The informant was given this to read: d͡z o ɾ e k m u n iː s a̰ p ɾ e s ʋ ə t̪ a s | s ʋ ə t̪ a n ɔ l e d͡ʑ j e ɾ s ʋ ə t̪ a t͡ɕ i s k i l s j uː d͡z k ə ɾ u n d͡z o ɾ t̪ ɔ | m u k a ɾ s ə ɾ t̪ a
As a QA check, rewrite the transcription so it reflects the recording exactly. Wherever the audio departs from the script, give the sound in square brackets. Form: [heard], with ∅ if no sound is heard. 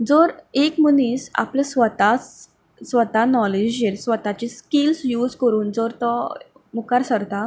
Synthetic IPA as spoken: d͡z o ɾ e k m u n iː s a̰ p [l] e s ʋ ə t̪ a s | s ʋ ə t̪ a n ɔ l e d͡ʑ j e ɾ s ʋ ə t̪ a t͡ɕ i s k i l s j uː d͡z k ə ɾ [uː] n d͡z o ɾ t̪ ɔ | m u k a ɾ s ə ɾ t̪ a